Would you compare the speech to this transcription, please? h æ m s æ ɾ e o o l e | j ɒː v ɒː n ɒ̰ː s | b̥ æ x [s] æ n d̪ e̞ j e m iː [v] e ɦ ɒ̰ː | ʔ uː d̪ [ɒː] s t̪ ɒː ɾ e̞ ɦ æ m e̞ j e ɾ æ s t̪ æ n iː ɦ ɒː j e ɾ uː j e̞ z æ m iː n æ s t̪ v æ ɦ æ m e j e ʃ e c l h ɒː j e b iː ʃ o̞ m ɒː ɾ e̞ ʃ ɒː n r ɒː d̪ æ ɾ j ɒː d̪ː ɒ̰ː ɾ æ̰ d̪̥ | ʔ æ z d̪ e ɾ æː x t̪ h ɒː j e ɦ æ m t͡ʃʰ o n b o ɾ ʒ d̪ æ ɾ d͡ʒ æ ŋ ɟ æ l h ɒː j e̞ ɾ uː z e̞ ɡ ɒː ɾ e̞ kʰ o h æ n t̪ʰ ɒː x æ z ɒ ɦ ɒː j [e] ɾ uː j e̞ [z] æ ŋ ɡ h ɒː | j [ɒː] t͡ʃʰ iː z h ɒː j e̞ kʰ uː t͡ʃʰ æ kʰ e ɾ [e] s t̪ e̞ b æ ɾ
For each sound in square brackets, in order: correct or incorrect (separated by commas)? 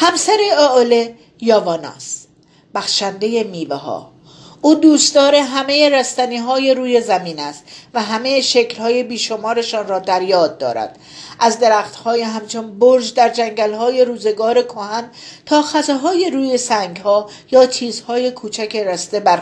incorrect, correct, incorrect, correct, incorrect, correct, incorrect